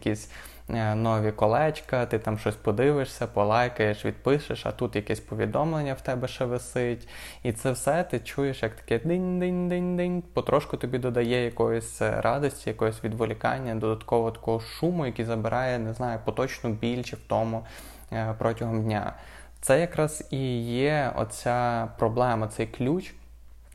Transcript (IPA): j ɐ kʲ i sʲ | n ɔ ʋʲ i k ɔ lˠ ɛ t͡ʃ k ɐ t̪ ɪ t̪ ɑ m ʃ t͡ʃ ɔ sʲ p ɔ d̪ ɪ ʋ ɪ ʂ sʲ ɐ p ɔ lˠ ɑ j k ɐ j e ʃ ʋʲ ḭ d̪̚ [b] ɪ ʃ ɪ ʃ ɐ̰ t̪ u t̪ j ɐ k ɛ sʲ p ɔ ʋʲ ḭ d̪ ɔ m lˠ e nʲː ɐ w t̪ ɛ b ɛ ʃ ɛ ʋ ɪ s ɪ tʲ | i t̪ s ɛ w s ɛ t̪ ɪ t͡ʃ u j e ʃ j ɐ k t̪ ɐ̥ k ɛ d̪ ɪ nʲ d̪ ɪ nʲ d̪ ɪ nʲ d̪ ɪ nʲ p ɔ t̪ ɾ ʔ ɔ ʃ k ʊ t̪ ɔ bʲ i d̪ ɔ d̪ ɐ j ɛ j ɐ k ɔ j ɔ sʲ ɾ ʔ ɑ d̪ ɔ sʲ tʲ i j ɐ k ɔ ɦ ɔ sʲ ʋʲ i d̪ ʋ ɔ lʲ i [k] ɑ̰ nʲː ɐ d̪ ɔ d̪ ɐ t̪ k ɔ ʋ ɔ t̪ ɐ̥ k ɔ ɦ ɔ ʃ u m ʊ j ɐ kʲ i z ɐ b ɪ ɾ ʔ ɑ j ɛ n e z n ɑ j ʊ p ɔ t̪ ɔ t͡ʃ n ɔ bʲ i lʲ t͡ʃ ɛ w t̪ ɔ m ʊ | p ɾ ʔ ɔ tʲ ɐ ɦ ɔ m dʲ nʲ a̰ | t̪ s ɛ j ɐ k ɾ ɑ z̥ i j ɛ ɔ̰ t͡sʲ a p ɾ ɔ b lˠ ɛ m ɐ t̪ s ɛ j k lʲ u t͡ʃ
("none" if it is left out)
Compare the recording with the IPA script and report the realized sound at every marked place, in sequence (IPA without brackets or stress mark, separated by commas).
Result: p, k